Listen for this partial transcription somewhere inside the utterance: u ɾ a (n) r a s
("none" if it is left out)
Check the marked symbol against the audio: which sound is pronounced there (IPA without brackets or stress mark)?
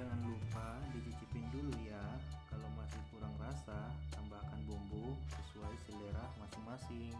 ŋ